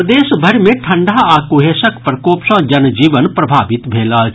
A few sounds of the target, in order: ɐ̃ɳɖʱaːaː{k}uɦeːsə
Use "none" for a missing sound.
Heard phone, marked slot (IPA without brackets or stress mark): k